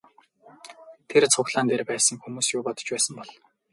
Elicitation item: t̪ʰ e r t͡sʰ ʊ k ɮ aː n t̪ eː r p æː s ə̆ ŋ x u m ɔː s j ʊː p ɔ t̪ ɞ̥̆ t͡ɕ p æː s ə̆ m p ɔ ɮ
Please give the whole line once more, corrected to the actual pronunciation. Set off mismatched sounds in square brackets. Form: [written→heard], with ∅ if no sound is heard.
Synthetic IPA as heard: t̪ʰ e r t͡sʰ ʊ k ɮ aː n t̪ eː r p æː s ə̆ ŋ x u m [ɔː→uː] s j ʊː p ɔ t̪ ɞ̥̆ t͡ɕ p æː s ə̆ m p ɔ ɮ